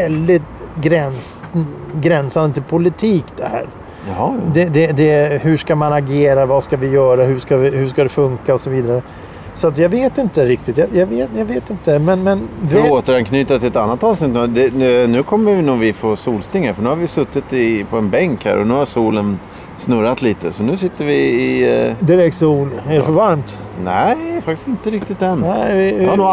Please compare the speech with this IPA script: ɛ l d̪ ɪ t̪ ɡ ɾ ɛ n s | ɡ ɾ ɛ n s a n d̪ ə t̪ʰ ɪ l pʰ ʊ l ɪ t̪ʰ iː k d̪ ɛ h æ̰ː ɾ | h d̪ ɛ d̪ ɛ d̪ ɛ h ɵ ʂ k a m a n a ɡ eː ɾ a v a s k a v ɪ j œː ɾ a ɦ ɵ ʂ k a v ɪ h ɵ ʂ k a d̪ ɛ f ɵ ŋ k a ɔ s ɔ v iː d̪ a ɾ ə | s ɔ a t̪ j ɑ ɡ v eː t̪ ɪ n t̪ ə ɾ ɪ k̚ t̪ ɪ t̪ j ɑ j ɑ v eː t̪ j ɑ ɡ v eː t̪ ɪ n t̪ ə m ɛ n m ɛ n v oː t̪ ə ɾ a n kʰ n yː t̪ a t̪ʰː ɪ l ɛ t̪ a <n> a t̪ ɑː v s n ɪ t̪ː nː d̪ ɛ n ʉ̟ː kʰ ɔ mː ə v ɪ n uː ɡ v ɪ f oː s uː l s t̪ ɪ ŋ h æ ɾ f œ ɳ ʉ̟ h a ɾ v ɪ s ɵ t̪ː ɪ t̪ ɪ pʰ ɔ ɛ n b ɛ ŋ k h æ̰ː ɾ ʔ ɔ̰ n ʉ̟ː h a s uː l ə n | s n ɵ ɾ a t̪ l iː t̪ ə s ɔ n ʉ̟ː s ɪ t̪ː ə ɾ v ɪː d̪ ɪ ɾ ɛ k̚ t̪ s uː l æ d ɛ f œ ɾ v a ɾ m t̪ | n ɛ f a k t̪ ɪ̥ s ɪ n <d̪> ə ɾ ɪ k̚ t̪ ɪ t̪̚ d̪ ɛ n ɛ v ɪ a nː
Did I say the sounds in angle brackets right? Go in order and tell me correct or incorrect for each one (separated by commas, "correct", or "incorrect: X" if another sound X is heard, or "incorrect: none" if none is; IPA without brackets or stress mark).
incorrect: nː, incorrect: t̪